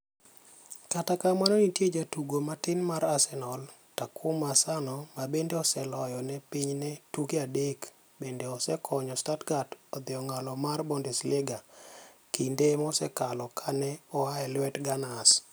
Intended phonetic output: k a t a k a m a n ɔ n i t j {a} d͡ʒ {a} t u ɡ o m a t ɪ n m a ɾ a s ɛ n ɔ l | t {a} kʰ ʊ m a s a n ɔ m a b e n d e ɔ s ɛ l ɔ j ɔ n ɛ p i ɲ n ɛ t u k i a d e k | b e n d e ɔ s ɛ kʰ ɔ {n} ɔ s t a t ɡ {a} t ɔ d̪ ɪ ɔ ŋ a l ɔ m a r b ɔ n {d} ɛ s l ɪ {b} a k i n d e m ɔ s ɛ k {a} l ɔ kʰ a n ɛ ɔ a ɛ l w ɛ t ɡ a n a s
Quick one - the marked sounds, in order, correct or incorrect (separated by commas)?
incorrect, correct, correct, incorrect, correct, correct, incorrect, correct